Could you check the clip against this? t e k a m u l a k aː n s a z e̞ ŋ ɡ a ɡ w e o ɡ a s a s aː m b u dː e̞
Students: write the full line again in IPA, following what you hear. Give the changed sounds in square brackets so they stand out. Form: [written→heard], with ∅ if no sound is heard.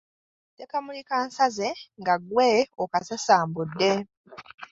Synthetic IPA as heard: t e k a m u l [a→i] k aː n s a z e̞ ŋ ɡ a ɡ w e o [ɡ→k] a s a s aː m b u dː e̞